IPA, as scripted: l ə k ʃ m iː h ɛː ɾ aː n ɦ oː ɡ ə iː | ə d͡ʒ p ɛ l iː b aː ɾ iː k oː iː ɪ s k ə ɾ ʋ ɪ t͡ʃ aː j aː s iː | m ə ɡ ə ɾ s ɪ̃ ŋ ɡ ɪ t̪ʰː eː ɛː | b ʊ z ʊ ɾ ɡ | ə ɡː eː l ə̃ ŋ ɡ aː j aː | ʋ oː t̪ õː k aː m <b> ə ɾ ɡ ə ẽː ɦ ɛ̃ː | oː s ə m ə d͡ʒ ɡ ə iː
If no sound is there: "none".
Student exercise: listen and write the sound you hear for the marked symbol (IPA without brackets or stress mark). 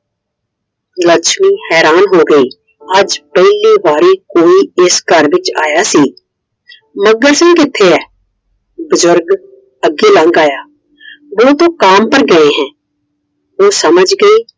p